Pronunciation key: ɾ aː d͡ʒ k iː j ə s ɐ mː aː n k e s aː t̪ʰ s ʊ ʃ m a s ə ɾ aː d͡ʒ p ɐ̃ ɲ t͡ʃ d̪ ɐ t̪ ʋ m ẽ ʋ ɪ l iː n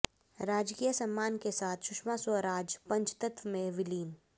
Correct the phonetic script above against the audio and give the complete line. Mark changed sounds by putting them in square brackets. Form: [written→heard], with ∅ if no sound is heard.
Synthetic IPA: ɾ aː d͡ʒ k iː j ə s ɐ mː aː n k e s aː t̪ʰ [s→ʃ] ʊ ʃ m a s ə ɾ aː d͡ʒ p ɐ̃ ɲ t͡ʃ [d̪→t̪] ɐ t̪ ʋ m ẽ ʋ ɪ l iː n